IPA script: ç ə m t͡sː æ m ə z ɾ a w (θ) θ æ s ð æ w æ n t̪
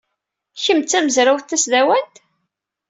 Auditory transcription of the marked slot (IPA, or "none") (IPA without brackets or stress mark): θ